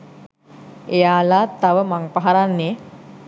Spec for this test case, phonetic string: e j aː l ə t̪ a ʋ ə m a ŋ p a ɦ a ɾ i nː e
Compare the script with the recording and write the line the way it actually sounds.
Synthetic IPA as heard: e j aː l a t̪ a ʋ ə m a ŋ p a ɦ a ɾ a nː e